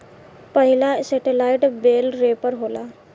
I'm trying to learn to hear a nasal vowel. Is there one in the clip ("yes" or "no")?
no